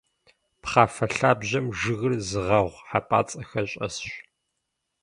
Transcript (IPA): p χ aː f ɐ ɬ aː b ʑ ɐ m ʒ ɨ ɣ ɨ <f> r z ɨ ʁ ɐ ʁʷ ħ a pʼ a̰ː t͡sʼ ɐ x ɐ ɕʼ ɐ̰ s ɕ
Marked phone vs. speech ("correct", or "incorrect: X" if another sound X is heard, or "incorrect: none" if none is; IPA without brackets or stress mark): incorrect: none